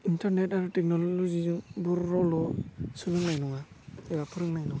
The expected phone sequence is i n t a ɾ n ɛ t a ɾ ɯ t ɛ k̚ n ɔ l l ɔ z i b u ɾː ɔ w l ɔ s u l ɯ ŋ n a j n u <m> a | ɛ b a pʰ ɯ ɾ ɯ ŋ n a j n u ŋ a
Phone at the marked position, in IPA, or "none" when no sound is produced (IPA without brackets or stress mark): ŋ